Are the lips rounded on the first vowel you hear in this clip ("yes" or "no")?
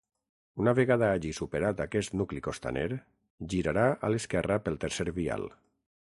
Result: yes